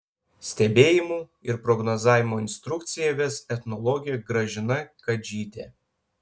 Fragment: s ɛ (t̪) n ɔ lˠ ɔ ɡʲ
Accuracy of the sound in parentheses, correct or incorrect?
correct